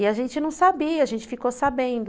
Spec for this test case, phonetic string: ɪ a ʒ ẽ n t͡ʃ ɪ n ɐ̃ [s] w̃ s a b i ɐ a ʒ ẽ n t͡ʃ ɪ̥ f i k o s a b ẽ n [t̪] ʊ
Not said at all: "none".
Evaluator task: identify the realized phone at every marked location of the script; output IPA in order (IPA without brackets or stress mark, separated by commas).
none, d̪